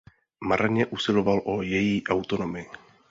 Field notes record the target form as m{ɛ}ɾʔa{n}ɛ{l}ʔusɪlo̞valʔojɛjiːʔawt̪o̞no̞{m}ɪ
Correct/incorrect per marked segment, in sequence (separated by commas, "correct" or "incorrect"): incorrect, incorrect, incorrect, correct